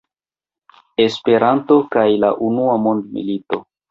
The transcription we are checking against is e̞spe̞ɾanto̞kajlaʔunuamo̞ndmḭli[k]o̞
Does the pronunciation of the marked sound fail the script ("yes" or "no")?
yes